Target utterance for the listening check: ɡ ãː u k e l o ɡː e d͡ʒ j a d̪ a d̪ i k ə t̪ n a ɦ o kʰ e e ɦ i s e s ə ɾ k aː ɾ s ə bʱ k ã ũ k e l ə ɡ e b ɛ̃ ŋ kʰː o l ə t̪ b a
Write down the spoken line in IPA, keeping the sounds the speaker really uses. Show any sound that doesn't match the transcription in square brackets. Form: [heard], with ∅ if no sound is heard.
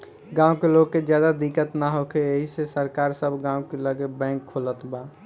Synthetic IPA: ɡ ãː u k e l o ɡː e d͡ʒ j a d̪ a d̪ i k ə t̪ n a ɦ o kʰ e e ɦ i s e s ə ɾ k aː ɾ s ə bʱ [ɡ] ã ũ k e l ə ɡ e b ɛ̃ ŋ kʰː o l ə t̪ b a